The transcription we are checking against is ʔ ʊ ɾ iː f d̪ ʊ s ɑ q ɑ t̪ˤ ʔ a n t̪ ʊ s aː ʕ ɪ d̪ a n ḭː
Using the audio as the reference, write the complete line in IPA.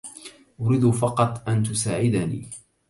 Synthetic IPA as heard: ʔ ʊ ɾ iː d̪ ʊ f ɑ q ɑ t̪ˤ ʔ a n t̪ ʊ s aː ʕ ɪ d̪ a n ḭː